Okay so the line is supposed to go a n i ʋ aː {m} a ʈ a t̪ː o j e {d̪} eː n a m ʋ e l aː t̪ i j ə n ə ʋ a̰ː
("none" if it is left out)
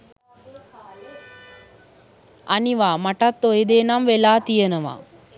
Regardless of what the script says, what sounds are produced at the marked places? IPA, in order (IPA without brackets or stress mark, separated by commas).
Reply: m, d̪